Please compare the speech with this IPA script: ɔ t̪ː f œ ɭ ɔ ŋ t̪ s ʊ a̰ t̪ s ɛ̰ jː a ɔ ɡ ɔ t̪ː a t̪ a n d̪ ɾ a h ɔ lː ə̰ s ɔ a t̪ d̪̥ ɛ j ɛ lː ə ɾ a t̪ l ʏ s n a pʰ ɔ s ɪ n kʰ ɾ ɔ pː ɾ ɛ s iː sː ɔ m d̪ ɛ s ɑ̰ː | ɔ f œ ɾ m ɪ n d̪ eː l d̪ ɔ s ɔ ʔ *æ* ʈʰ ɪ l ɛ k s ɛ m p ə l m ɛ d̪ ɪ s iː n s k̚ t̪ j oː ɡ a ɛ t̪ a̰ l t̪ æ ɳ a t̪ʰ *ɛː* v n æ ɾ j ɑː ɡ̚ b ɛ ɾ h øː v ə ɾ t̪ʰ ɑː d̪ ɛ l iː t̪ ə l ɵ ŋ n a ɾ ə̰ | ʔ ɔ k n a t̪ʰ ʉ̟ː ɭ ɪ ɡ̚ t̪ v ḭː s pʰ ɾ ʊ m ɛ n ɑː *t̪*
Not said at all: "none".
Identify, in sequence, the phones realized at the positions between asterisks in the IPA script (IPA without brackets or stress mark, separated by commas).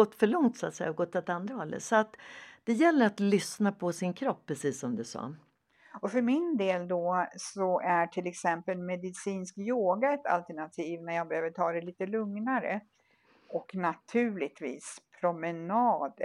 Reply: æ, iː, d̪